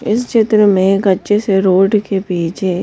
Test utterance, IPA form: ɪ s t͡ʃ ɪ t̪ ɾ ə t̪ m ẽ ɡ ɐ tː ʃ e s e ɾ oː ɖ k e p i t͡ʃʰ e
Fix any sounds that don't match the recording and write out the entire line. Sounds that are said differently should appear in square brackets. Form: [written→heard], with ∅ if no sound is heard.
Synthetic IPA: ɪ s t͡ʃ ɪ t̪ ɾ ə [t̪→∅] m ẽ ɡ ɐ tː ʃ e s e ɾ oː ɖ k e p [i→iː] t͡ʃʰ e